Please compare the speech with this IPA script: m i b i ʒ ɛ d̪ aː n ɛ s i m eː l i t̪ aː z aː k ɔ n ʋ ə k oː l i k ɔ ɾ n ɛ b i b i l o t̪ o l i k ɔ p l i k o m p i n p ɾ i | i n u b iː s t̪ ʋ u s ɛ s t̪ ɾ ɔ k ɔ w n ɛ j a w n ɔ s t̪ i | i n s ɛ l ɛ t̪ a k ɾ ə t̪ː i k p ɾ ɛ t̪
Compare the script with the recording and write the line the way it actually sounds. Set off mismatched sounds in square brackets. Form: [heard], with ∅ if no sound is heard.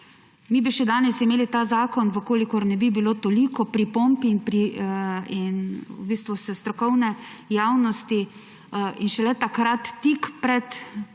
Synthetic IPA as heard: m i b i [ʃ] ɛ d̪ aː n ɛ s i m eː l i t̪ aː z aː k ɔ n ʋ ə k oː l i k ɔ ɾ n ɛ b i b i l o t̪ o l i k ɔ p [ɾ] i [p] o m p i n p ɾ i | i n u b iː s t̪ ʋ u s ɛ s t̪ ɾ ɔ k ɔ w n ɛ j a w n ɔ s t̪ i | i n [ʃ] ɛ l ɛ t̪ a k ɾ [a] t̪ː i k p ɾ ɛ t̪